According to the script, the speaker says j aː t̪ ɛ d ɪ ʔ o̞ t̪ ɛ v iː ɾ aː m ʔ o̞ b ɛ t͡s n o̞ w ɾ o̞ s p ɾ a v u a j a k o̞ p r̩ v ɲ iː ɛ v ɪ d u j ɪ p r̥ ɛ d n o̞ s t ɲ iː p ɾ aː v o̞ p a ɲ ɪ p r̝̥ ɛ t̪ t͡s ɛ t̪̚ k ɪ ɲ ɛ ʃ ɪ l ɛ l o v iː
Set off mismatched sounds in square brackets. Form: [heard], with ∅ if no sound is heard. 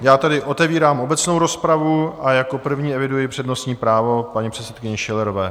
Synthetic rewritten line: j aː t̪ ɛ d ɪ ʔ o̞ t̪ ɛ v iː ɾ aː m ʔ o̞ b ɛ t͡s n o̞ w ɾ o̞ s p ɾ a v u a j a k o̞ p r̩ v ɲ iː ɛ v ɪ d u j ɪ p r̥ ɛ d n o̞ s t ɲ iː p ɾ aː v o̞ p a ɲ [i] p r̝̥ ɛ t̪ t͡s ɛ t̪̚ k ɪ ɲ ɛ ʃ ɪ l ɛ [ɾ] o v [ɛː]